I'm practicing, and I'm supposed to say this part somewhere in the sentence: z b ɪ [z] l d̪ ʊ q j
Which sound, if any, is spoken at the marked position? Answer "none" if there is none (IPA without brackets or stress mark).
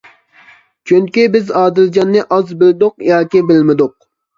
none